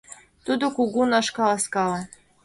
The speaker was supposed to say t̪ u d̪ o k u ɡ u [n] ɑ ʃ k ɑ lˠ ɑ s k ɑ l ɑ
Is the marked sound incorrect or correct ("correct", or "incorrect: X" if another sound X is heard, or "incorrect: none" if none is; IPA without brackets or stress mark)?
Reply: correct